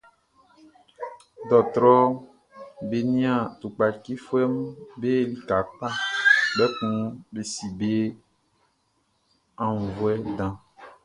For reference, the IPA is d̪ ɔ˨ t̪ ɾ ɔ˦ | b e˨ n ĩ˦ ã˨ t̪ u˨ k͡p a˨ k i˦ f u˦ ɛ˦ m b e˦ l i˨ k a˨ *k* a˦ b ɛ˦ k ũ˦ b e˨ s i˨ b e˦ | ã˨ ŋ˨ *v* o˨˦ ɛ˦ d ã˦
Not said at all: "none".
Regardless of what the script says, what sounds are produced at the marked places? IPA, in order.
k͡p, v

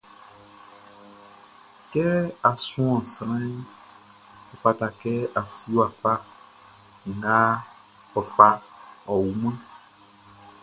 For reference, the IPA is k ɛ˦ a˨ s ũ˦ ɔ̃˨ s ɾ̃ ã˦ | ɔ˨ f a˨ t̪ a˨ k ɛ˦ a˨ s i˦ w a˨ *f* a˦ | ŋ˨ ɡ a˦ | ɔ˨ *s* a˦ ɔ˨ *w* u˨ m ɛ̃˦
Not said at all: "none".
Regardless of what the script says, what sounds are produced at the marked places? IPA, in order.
f, f, w

